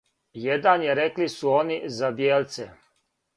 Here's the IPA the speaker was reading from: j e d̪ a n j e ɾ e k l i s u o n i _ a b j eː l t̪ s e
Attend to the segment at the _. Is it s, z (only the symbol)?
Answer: z